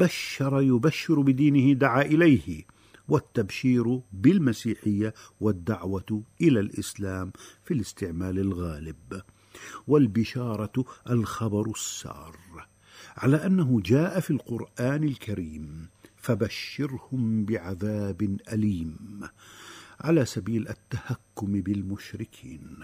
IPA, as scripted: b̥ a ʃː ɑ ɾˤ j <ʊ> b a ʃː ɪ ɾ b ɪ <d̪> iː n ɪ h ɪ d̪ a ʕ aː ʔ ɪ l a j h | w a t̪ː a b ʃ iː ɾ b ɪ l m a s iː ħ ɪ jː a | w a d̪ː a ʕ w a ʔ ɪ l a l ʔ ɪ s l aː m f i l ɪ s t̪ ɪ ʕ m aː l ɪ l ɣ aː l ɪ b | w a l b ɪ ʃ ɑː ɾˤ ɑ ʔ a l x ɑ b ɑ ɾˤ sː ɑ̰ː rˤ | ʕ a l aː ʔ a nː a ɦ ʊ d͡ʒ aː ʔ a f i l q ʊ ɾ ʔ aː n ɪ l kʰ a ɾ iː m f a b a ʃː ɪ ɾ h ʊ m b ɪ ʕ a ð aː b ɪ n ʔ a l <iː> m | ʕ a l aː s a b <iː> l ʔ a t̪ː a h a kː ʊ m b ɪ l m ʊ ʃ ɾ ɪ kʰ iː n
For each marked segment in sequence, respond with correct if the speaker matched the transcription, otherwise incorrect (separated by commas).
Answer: correct, correct, correct, correct